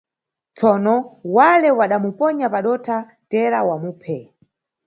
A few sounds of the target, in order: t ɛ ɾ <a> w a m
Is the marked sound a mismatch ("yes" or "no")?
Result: no